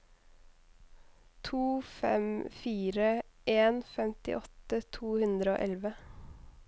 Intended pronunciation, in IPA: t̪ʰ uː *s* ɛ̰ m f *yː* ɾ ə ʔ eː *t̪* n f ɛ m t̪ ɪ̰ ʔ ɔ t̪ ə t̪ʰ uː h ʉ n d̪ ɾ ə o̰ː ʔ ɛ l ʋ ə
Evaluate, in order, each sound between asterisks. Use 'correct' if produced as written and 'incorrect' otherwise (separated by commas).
incorrect, incorrect, incorrect